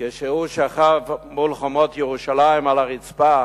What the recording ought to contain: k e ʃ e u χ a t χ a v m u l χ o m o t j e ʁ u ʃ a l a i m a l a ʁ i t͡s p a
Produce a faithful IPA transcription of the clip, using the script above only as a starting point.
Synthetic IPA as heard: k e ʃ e u ʃ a χ a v m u l χ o m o t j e ʁ u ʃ a l a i m a l a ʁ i t͡s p a